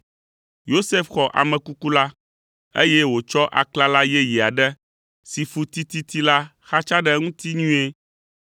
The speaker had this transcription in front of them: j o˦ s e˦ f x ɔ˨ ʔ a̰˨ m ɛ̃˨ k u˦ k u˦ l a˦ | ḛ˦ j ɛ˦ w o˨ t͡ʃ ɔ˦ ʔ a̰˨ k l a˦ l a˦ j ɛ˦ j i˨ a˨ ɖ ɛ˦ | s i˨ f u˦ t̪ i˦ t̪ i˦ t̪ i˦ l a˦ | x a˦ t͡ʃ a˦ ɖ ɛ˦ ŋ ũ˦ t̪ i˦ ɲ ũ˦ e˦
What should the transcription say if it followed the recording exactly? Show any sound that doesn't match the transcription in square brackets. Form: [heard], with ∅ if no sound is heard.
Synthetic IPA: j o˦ s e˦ f x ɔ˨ ʔ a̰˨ m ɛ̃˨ k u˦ k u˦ l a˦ | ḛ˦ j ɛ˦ w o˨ t͡ʃ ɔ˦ ʔ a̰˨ k l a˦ l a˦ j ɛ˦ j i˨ a˨ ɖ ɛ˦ | s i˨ f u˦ t̪ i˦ t̪ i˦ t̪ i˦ l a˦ | x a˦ t͡ʃ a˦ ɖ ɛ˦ ŋ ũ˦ t̪ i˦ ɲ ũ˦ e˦